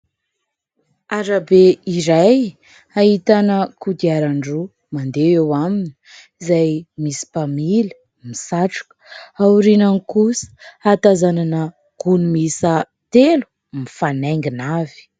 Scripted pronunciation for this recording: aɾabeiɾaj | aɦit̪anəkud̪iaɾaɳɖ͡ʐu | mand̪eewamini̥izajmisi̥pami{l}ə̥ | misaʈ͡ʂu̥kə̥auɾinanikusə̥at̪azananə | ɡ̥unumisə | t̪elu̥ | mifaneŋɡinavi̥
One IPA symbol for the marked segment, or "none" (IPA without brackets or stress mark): l